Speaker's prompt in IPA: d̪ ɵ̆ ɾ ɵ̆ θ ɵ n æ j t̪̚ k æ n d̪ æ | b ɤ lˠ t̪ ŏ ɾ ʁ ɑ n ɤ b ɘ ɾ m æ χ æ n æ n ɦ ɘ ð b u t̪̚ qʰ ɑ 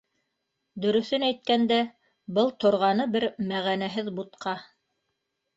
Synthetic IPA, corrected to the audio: d̪ ɵ̆ ɾ ɵ̆ θ ɵ n æ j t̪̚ k æ n d̪ æ | b ɤ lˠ t̪ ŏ ɾ ʁ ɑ n ɤ b ɘ ɾ m æ ʁ æ n æ ɦ ɘ ð b u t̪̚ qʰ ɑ